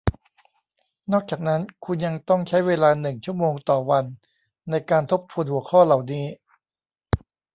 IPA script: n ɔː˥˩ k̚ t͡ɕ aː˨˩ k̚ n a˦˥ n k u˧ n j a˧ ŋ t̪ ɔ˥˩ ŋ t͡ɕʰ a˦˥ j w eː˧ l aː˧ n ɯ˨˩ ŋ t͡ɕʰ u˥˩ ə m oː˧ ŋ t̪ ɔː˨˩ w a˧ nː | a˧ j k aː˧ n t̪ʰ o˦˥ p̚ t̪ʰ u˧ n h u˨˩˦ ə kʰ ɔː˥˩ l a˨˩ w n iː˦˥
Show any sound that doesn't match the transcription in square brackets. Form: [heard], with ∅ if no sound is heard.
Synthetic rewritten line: n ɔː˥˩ k̚ t͡ɕ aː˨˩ k̚ n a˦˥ n [kʰ] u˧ n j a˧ ŋ t̪ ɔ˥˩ ŋ t͡ɕʰ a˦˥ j w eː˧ l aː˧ n ɯ˨˩ ŋ t͡ɕʰ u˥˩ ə m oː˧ ŋ t̪ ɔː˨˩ w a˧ nː | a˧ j k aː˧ n t̪ʰ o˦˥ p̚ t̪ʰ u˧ n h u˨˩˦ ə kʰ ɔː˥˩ l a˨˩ w n iː˦˥

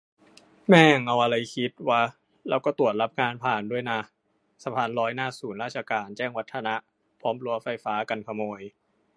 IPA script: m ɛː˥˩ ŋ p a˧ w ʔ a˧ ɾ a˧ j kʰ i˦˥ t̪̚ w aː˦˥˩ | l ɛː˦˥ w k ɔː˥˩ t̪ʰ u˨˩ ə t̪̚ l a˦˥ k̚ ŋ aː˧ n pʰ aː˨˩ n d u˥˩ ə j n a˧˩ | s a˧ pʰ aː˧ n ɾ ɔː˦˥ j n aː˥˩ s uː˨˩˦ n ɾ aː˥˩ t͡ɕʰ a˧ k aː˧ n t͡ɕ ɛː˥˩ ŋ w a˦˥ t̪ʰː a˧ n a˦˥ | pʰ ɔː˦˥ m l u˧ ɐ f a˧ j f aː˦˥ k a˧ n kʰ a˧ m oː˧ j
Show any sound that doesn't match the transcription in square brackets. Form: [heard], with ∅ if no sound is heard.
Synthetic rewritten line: m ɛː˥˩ ŋ [ʔ] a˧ w ʔ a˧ ɾ a˧ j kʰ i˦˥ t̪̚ w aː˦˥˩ | l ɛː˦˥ w k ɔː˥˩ [t̪] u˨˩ ə t̪̚ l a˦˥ [p̚] ŋ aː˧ n pʰ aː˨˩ n d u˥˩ ə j n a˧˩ | s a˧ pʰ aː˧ n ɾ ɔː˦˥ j n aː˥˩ s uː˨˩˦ n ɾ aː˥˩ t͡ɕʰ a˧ k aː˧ n t͡ɕ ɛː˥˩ ŋ w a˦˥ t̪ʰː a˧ n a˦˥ | pʰ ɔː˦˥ m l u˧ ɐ f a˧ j f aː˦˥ k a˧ n kʰ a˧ m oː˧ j

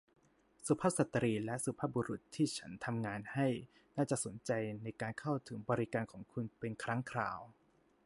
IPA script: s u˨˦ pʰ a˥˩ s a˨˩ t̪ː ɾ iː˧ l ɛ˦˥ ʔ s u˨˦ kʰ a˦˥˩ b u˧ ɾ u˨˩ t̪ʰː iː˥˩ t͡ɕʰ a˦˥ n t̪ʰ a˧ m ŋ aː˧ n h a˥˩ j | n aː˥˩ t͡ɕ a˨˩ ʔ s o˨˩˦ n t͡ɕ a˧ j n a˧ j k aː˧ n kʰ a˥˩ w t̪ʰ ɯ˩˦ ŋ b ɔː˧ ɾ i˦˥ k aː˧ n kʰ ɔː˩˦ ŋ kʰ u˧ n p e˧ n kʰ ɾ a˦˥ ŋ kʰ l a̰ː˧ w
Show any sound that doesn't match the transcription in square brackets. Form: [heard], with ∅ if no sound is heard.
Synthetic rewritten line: s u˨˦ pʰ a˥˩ s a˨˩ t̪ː ɾ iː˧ l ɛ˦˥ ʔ s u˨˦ [pʰ] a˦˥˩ b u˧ ɾ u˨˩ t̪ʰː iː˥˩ t͡ɕʰ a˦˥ n t̪ʰ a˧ m ŋ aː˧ n h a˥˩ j | n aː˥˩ t͡ɕ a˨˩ ʔ s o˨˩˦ n t͡ɕ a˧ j n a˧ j k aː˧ n kʰ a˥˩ w t̪ʰ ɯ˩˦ ŋ b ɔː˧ ɾ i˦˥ k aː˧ n kʰ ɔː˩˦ ŋ kʰ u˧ n p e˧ n kʰ ɾ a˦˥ ŋ kʰ [ɾ] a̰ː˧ w

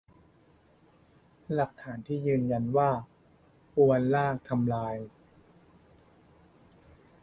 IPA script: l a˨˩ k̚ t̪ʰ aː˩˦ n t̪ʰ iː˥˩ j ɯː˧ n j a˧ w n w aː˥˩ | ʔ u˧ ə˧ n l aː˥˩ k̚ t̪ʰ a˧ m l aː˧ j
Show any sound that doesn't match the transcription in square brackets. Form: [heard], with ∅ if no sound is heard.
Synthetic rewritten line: l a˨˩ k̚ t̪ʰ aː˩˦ n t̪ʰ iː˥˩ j ɯː˧ n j a˧ [∅] n w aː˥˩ | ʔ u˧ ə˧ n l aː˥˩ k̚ t̪ʰ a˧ m l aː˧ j

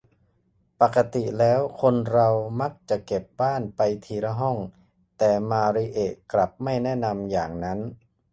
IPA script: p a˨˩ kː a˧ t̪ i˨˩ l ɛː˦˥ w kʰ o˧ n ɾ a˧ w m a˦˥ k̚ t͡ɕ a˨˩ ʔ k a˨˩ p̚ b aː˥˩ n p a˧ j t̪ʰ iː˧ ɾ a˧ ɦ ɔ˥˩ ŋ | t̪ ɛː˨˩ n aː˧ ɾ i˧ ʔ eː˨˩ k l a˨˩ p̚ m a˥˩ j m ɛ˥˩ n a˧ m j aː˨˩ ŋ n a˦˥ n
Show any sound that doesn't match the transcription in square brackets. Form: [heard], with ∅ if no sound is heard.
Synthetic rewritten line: p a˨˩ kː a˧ t̪ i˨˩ l ɛː˦˥ w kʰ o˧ n ɾ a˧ w m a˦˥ k̚ t͡ɕ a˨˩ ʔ k [e˨˩] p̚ b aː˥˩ n p a˧ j t̪ʰ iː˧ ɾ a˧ ɦ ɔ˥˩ ŋ | t̪ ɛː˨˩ [m] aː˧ ɾ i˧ ʔ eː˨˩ k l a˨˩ p̚ m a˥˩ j [n] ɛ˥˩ n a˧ m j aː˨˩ ŋ n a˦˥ n

